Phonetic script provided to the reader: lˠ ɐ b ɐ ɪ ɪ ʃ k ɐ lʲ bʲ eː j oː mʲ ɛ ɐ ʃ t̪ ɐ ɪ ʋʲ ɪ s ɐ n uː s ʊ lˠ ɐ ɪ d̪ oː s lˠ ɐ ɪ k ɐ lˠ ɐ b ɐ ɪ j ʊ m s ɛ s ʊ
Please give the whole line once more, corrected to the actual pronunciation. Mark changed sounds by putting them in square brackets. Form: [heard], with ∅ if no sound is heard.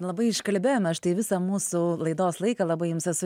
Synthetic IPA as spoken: lˠ ɐ b ɐ ɪ ɪ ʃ k ɐ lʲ bʲ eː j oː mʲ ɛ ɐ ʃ t̪ ɐ ɪ ʋʲ ɪ s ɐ [m] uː s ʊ lˠ ɐ ɪ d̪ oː s lˠ ɐ ɪ k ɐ lˠ ɐ b ɐ ɪ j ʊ m s ɛ s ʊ